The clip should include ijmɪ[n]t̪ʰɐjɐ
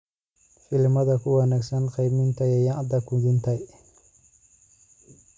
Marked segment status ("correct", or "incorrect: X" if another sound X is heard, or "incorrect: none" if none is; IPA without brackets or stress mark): correct